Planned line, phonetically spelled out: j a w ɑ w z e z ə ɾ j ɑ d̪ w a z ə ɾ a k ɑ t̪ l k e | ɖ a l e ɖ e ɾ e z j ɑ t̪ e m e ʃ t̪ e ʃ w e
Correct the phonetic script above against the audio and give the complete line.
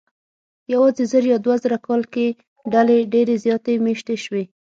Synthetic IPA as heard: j a w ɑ z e z ə ɾ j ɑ d̪ w a z ə ɾ a k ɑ l k e | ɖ a l e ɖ e ɾ e z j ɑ t̪ e m e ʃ t̪ e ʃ w e